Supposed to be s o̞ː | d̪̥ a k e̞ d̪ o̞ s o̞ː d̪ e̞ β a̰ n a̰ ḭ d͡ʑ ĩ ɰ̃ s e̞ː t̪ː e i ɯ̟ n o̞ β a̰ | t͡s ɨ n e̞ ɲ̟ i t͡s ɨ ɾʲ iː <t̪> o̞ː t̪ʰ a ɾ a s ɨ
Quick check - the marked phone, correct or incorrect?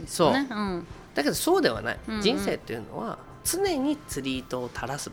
correct